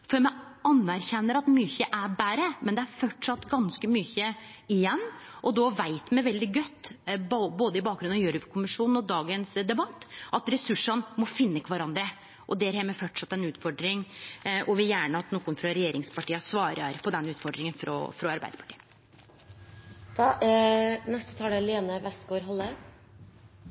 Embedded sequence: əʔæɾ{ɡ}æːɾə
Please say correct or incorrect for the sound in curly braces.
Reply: incorrect